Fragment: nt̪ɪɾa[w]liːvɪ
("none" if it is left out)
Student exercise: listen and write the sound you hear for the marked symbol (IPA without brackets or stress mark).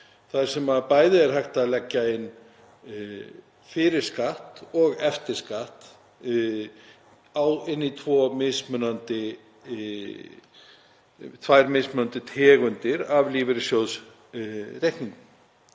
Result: v